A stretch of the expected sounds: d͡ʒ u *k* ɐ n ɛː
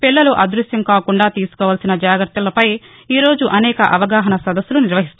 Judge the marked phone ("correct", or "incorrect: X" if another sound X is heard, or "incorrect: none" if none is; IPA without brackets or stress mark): incorrect: ʔ